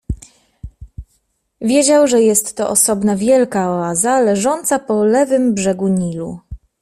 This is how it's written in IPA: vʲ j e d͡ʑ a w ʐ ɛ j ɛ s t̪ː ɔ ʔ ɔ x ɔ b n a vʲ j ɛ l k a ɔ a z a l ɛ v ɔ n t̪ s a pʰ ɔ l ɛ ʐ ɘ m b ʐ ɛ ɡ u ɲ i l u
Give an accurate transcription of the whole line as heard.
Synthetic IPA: vʲ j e d͡ʑ a w ʐ ɛ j ɛ s t̪ː ɔ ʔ ɔ s ɔ b n a vʲ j ɛ l k a ɔ a z a l ɛ ʐ ɔ n t̪ s a p ɔ l ɛ v ɘ m b ʐ ɛ ɡ u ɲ i l u

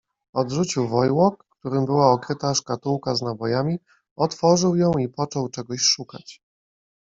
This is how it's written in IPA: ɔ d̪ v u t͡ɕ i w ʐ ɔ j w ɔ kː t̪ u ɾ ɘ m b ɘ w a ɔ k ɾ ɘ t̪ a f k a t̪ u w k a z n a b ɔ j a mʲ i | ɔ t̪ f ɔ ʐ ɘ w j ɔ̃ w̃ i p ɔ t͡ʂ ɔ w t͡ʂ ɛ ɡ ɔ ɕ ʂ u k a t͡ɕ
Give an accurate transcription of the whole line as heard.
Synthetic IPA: ɔ d̪ ʐ u t͡ɕ i w v ɔ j w ɔ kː t̪ u ɾ ɘ m b ɘ w a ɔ k ɾ ɘ t̪ a ʂ k a t̪ u w k a z n a b ɔ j a mʲ i | ɔ t̪ f ɔ ʐ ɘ w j ɔ̃ w̃ i p ɔ t͡ʂ ɔ w t͡ʂ ɛ ɡ ɔ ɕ ʂ u k a t͡ɕ

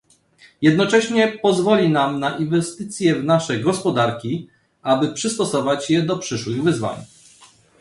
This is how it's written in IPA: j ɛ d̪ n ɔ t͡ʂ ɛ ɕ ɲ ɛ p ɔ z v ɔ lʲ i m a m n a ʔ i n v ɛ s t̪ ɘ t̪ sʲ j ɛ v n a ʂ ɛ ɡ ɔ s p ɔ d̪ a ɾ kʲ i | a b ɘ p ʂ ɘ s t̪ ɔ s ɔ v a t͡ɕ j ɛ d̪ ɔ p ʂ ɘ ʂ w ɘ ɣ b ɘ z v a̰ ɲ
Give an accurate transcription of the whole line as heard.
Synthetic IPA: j ɛ d̪ n ɔ t͡ʂ ɛ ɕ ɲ ɛ p ɔ z v ɔ lʲ i n a m n a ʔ i n v ɛ s t̪ ɘ t̪ sʲ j ɛ v n a ʂ ɛ ɡ ɔ s p ɔ d̪ a ɾ kʲ i | a b ɘ p ʂ ɘ s t̪ ɔ s ɔ v a t͡ɕ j ɛ d̪ ɔ p ʂ ɘ ʂ w ɘ ɣ v ɘ z v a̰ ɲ

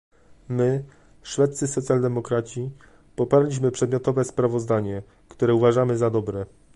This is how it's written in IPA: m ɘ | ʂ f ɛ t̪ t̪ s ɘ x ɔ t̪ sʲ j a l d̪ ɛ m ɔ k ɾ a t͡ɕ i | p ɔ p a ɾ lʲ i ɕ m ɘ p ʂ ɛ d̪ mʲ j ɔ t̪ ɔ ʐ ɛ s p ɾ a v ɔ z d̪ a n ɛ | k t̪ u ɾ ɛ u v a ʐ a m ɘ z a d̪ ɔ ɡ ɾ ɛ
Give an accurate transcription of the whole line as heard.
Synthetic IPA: m ɘ | ʂ f ɛ t̪ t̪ s ɘ s ɔ t̪ sʲ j a l d̪ ɛ m ɔ k ɾ a t͡ɕ i | p ɔ p a ɾ lʲ i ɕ m ɘ p ʂ ɛ d̪ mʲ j ɔ t̪ ɔ v ɛ s p ɾ a v ɔ z d̪ a ɲ ɛ | k t̪ u ɾ ɛ u v a ʐ a m ɘ z a d̪ ɔ b ɾ ɛ

